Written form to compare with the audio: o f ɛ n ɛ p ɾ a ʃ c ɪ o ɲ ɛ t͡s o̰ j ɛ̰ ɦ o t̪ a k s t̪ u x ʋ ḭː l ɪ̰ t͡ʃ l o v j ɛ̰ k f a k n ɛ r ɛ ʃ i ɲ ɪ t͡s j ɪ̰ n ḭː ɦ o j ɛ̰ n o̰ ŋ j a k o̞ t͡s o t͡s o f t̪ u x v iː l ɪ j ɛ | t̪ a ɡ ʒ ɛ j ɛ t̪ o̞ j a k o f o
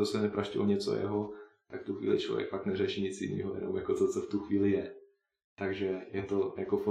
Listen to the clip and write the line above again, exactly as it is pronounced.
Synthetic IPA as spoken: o s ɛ n ɛ p ɾ a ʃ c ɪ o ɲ ɛ t͡s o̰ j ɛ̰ ɦ o t̪ a k f t̪ u x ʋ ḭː l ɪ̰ t͡ʃ l o v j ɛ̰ k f a k n ɛ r ɛ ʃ i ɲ ɪ t͡s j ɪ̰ n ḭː ɦ o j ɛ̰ n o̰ m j a k o̞ t͡s o t͡s o f t̪ u x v iː l ɪ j ɛ | t̪ a ɡ ʒ ɛ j ɛ t̪ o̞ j a k o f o